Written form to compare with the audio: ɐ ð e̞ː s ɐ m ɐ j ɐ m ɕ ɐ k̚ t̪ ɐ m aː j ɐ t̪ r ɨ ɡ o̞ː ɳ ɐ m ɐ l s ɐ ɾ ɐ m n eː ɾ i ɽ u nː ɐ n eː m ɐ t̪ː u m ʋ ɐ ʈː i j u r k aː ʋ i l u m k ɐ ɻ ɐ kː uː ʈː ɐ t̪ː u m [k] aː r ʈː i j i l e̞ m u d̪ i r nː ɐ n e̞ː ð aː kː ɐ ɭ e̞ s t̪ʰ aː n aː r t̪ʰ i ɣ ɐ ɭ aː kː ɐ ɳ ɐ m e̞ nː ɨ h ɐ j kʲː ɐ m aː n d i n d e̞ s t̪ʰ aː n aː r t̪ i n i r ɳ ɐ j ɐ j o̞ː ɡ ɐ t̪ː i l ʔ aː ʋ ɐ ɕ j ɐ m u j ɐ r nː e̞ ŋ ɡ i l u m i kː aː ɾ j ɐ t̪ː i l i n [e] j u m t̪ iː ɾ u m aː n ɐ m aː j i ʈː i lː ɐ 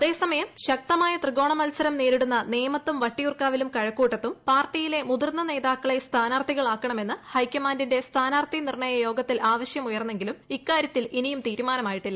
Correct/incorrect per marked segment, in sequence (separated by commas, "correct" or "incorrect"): incorrect, incorrect